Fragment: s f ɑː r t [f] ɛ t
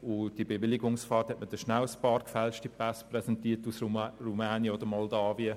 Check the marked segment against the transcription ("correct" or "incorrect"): incorrect